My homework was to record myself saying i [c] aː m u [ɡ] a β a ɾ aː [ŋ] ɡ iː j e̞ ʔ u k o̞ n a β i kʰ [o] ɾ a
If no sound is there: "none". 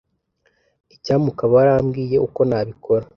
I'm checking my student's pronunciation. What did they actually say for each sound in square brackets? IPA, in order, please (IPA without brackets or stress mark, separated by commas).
c, k, m, o